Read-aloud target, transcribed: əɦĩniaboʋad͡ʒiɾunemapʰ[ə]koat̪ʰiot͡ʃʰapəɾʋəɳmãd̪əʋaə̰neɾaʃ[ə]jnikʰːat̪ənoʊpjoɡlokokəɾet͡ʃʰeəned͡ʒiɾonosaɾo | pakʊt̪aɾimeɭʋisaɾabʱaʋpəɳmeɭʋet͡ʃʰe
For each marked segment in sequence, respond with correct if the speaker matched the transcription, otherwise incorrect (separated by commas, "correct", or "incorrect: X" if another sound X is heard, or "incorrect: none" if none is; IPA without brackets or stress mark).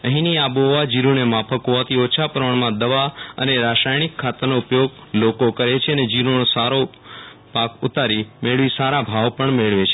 correct, incorrect: a